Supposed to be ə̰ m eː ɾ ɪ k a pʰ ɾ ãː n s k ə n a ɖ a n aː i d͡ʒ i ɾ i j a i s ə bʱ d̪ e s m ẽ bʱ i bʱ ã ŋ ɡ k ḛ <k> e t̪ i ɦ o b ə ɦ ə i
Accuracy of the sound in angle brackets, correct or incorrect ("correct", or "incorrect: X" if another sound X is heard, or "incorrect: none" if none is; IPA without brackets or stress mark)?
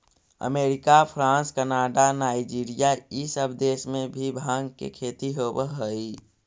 incorrect: kʰ